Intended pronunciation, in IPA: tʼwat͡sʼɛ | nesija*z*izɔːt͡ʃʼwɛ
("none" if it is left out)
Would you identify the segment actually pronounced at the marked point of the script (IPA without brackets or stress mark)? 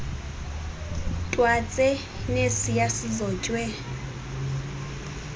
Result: s